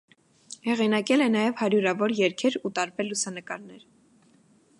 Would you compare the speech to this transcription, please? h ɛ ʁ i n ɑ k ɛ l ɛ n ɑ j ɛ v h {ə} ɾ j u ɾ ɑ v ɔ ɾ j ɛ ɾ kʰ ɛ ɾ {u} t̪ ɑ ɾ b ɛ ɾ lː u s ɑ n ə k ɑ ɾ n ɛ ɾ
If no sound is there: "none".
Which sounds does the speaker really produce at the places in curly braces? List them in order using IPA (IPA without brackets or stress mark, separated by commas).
ɑ, u